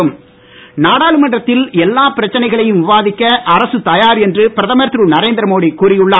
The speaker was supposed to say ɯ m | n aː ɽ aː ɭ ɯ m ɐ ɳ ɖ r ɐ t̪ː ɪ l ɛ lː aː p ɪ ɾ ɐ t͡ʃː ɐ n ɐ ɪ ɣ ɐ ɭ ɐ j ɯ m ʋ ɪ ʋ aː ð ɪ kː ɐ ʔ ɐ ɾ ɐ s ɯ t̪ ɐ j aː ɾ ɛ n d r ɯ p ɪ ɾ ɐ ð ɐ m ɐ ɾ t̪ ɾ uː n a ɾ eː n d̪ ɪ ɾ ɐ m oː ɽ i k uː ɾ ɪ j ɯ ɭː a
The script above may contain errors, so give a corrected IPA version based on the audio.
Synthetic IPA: ɯ m | n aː ɽ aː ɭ ɯ m ɐ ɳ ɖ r ɐ t̪ː ɪ l ɛ lː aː p ɪ ɾ ɐ t͡ʃː ɐ n ɐ ɪ ɣ ɐ ɭ ɐ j ɯ m ʋ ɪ ʋ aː ð ɪ kː ɐ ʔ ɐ ɾ ɐ s ɯ t̪ ɐ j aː ɾ ɛ n d r ɯ p ɪ ɾ ɐ ð ɐ m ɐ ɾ t̪ ɾ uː n ɐ ɾ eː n d̪ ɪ ɾ ɐ m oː ɽ i k uː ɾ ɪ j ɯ ɭː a